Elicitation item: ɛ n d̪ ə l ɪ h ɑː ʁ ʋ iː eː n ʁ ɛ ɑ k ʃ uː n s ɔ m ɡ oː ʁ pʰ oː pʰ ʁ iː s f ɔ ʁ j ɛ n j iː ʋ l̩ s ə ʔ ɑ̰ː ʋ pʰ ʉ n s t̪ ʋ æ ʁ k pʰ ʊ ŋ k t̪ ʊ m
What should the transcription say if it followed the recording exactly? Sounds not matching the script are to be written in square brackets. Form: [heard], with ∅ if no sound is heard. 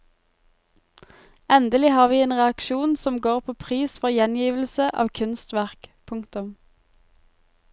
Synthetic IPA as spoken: ɛ n d̪ ə l ɪ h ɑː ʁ ʋ iː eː n ʁ ɛ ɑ k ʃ uː n s ɔ m ɡ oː ʁ pʰ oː pʰ ʁ iː s f ɔ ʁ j ɛ n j iː ʋ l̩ s ə ʔ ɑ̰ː ʋ [kʰ] ʉ n s t̪ ʋ æ ʁ k pʰ ʊ ŋ k t̪ ʊ m